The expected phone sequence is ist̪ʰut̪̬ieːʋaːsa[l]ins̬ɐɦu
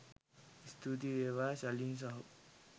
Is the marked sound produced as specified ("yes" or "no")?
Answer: yes